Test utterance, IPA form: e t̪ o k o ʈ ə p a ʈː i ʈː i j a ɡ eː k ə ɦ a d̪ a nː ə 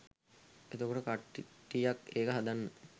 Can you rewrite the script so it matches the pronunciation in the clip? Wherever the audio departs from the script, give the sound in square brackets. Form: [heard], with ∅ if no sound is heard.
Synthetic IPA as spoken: e t̪ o k o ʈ ə [k] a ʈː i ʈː i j a [k] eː k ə ɦ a d̪ a nː ə